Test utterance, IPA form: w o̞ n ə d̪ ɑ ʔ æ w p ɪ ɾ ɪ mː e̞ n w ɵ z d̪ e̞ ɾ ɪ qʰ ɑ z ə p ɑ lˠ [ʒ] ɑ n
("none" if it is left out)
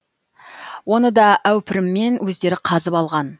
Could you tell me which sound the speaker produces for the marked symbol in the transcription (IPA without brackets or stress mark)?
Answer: ʁ